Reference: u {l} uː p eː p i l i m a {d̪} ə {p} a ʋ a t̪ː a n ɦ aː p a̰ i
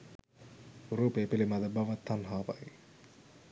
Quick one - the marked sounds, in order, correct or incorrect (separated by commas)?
incorrect, correct, incorrect